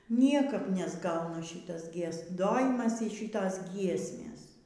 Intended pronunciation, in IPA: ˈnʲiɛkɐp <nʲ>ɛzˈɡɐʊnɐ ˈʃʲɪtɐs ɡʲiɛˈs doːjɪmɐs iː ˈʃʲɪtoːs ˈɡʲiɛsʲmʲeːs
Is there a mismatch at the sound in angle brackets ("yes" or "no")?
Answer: no